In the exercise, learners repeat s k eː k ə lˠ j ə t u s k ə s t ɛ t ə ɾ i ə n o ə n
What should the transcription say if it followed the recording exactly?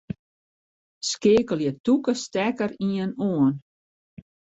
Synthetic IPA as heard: s k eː k ə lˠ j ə t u k ə s t ɛ k ə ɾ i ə n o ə n